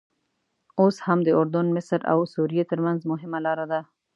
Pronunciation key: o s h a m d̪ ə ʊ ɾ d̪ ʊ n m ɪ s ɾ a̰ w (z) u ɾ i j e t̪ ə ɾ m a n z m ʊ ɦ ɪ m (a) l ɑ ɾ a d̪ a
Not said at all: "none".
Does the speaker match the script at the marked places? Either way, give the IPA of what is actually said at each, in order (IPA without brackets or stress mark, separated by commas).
s, a